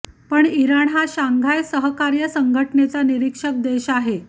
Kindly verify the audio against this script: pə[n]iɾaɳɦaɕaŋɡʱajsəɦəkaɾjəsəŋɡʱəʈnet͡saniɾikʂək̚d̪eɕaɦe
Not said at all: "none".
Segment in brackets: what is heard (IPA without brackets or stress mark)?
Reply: ɳ